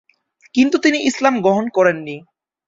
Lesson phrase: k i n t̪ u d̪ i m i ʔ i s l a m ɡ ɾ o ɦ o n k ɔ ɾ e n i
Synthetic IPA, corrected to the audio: k i n t̪ u t̪ i n i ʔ i s l a m ɡ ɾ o ɦ o n k ɔ ɾ e nː i